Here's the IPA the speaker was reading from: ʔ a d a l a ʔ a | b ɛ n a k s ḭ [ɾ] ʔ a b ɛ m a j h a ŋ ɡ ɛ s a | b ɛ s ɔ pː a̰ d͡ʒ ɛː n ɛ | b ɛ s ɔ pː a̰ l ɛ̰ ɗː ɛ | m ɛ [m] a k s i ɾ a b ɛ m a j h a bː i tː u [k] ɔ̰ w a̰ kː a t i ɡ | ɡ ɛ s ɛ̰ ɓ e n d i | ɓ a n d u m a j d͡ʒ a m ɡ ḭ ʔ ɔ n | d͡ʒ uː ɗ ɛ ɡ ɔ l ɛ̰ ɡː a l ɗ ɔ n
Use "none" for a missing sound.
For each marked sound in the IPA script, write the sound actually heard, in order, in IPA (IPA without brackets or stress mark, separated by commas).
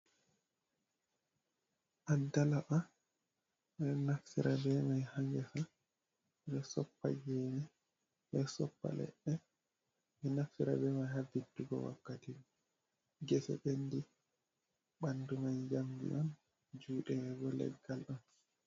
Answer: ɾ, n, ɡ